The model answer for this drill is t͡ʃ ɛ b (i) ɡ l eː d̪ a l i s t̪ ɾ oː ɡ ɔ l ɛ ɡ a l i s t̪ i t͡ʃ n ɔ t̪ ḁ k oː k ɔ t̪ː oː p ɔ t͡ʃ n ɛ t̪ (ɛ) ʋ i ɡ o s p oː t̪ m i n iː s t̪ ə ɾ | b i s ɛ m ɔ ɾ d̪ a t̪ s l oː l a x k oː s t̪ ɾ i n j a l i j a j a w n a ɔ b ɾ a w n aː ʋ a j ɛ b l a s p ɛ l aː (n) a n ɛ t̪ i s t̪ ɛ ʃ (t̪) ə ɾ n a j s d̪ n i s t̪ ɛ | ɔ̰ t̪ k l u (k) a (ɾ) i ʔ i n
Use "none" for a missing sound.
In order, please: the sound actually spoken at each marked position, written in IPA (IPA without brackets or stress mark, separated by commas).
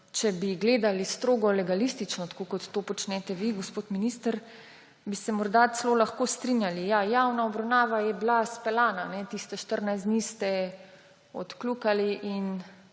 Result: i, ɛ, n, t̪, k, l